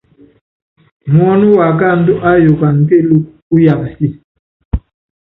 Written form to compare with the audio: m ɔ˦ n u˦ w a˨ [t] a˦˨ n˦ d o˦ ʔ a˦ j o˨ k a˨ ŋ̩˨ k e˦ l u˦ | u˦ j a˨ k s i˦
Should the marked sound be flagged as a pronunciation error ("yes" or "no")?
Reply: yes